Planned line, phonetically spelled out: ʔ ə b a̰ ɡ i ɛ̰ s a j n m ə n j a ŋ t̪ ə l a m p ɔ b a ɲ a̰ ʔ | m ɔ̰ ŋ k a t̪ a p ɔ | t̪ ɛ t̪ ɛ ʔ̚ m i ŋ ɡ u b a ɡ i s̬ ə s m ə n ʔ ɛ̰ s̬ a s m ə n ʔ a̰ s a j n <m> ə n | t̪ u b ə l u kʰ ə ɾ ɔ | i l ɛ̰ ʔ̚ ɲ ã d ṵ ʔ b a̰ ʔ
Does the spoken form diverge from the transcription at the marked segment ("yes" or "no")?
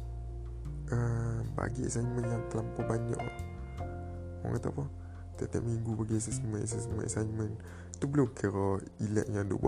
no